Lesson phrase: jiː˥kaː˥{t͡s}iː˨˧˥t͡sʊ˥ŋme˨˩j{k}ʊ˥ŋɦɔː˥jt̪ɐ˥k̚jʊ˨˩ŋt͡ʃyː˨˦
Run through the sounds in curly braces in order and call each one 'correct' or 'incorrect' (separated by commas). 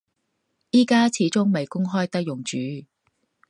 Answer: incorrect, correct